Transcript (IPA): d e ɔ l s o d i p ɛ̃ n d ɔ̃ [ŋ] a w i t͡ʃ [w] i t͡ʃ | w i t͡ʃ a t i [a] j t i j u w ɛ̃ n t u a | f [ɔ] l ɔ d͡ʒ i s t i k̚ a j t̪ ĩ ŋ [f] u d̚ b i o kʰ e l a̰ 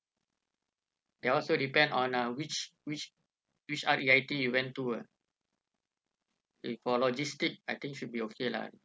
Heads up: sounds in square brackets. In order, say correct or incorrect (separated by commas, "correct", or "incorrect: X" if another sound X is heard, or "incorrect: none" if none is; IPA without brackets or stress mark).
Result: incorrect: n, correct, correct, correct, incorrect: ʃ